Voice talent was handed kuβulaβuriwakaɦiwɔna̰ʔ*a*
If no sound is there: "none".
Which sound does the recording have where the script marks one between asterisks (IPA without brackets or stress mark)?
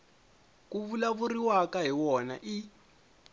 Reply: i